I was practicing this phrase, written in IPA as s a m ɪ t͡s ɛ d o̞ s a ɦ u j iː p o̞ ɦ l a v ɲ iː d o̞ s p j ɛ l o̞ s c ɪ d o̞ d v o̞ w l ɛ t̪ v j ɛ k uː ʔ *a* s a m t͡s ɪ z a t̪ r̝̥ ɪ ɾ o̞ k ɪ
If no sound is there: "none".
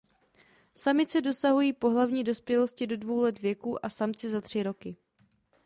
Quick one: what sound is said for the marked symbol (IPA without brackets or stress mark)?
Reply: a